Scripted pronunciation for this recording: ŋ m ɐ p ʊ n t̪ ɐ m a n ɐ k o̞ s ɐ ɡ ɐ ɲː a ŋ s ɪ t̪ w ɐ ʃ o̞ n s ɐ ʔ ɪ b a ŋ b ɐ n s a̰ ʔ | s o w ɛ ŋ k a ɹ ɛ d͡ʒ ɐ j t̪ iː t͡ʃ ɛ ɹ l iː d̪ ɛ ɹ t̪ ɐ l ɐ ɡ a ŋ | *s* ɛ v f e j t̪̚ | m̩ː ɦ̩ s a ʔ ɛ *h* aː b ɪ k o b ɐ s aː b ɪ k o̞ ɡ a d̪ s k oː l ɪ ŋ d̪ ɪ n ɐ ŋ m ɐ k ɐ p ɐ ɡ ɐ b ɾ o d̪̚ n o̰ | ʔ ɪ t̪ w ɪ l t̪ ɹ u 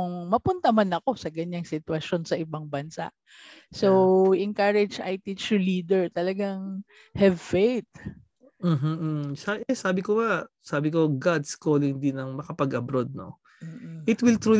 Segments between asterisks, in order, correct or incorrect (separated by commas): incorrect, incorrect